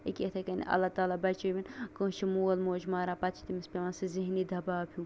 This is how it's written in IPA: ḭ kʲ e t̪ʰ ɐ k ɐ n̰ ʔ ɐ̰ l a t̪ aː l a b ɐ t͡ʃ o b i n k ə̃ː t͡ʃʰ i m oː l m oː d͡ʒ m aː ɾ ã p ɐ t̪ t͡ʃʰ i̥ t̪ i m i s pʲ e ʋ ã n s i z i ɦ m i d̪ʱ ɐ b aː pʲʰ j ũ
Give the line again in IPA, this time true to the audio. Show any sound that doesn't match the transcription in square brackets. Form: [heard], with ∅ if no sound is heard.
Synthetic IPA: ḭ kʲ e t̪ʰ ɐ k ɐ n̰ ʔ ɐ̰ l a t̪ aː l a b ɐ t͡ʃ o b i n k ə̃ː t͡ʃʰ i m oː l m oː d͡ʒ m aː ɾ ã p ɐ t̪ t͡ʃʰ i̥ t̪ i m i s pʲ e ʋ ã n s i z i ɦ [n] i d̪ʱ ɐ b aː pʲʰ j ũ

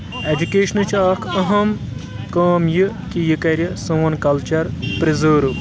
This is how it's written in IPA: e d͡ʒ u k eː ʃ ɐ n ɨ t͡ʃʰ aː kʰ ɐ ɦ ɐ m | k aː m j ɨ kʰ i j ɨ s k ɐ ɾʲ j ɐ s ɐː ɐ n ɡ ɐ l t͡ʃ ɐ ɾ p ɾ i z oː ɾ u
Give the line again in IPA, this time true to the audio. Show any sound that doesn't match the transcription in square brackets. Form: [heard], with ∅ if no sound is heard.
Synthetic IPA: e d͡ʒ u k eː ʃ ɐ n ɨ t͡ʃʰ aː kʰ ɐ ɦ ɐ m | k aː m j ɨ [k] i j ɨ [∅] k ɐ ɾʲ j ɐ s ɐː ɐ n [k] ɐ l t͡ʃ ɐ ɾ p ɾ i z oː ɾ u

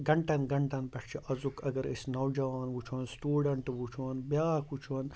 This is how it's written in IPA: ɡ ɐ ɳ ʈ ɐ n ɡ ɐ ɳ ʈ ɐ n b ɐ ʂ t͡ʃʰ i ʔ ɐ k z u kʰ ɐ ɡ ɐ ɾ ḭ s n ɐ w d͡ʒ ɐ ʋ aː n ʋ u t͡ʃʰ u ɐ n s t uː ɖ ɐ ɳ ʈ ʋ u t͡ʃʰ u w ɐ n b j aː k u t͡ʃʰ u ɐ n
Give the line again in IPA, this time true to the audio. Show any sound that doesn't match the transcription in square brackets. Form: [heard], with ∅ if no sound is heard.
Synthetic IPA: ɡ ɐ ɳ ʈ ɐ n ɡ ɐ ɳ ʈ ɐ n [p] ɐ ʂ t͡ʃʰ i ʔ ɐ [∅] z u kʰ ɐ ɡ ɐ ɾ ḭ s n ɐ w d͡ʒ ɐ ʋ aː n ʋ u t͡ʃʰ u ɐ n s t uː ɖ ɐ ɳ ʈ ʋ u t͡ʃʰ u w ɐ n b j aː k u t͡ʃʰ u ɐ n

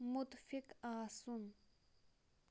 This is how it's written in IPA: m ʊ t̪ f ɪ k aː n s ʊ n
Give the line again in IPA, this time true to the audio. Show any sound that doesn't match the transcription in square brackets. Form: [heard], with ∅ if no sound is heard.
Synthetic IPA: m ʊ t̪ f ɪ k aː [∅] s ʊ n

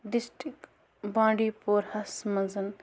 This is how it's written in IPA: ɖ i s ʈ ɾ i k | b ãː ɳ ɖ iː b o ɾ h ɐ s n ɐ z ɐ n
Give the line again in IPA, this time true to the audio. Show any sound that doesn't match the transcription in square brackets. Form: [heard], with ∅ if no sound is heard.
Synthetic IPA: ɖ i s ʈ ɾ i k | b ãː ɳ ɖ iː [p] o ɾ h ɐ s [m] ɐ z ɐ n

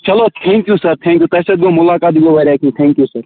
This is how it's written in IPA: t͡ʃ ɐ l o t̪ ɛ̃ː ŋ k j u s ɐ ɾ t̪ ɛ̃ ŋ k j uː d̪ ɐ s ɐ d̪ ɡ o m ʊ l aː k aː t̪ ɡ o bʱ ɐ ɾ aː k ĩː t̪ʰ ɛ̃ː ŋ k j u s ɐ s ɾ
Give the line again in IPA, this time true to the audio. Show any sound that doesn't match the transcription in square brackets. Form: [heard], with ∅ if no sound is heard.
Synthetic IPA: t͡ʃ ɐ l o [t̪ʰ] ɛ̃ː ŋ k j u s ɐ ɾ [t̪ʰ] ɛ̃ ŋ k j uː [t̪] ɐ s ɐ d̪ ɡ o m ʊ l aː k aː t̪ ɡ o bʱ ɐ ɾ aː k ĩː t̪ʰ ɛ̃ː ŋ k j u s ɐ [∅] ɾ

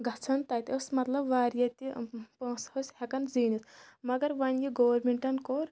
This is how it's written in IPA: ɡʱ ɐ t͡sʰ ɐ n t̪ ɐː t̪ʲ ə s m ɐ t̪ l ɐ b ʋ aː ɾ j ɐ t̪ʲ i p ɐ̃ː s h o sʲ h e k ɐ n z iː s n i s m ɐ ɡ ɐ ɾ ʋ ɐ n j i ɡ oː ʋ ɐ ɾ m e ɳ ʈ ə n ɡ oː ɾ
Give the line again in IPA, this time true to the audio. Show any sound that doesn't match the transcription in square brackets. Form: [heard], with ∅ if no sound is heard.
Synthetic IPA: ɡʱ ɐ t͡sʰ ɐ n t̪ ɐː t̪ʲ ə s m ɐ t̪ l ɐ b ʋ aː ɾ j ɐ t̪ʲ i p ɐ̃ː s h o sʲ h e k ɐ n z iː [∅] n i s m ɐ ɡ ɐ ɾ ʋ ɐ n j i ɡ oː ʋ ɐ ɾ m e ɳ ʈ [ɐ] n [k] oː ɾ

